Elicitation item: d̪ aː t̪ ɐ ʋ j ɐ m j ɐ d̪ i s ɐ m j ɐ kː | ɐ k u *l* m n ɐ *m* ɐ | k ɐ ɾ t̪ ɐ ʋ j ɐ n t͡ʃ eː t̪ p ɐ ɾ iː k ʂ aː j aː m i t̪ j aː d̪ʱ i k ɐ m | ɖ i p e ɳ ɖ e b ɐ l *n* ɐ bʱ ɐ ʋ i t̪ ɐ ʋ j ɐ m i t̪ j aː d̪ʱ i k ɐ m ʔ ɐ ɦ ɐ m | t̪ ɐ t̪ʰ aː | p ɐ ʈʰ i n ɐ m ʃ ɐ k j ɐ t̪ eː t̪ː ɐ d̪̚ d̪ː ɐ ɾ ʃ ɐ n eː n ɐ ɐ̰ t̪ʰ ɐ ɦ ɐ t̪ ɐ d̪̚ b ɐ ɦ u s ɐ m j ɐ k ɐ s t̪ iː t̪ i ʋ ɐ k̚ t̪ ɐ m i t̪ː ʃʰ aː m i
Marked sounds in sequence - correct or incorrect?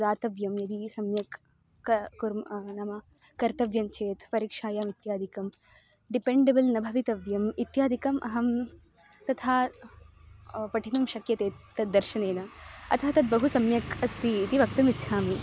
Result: incorrect, correct, correct

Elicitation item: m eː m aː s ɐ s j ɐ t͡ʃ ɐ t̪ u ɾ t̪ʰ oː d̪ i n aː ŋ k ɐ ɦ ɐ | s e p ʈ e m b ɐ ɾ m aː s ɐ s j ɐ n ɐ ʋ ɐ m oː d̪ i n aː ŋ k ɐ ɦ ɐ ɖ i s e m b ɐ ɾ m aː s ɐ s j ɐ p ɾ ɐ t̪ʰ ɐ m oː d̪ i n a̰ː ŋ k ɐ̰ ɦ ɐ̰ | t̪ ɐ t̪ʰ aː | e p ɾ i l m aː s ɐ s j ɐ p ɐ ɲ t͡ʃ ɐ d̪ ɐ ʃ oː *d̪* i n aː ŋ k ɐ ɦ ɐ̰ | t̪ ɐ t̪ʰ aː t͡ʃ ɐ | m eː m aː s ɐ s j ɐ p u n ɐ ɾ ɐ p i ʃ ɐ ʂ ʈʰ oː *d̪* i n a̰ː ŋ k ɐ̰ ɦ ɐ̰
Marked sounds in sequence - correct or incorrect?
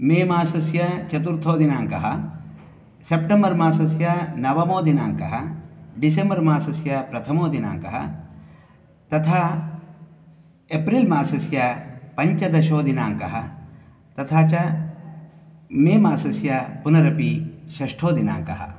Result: correct, correct

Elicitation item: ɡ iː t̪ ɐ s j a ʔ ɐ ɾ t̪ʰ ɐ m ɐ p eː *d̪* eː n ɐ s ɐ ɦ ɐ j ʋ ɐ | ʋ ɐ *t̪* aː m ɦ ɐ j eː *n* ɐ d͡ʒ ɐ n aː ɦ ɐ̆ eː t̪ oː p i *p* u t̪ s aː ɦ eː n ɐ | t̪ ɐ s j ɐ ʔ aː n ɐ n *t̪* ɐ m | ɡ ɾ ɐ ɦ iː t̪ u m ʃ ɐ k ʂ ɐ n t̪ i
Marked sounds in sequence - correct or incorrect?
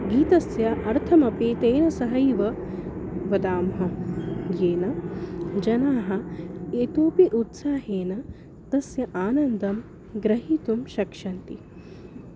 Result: incorrect, incorrect, correct, incorrect, incorrect

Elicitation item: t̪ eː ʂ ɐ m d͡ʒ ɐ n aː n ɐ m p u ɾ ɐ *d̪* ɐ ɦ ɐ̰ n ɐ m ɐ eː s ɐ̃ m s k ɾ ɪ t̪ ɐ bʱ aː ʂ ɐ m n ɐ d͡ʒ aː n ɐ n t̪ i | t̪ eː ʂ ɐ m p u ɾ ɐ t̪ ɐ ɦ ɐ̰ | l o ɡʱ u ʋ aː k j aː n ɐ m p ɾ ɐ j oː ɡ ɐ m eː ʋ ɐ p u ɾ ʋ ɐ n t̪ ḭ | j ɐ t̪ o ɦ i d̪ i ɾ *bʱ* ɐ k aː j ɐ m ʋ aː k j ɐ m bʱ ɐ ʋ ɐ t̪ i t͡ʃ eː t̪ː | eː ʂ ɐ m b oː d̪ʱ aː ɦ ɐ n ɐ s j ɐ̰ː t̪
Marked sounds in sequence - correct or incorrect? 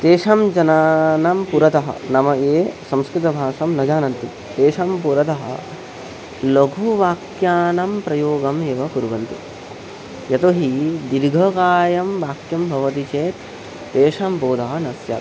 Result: incorrect, incorrect

